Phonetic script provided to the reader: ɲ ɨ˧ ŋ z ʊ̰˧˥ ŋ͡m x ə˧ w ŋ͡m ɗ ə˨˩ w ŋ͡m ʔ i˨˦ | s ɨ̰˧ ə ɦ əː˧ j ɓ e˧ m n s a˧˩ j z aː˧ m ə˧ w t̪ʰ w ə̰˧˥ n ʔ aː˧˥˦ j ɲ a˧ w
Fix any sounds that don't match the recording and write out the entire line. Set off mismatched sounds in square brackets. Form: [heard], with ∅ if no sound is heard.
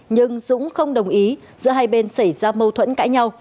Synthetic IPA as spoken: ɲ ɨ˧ ŋ z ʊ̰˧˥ ŋ͡m x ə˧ w ŋ͡m ɗ ə˨˩ w ŋ͡m ʔ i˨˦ | [z] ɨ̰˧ ə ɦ [aː˧] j ɓ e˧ [∅] n s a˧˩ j z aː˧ m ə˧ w t̪ʰ w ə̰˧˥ n [k] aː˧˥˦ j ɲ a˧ w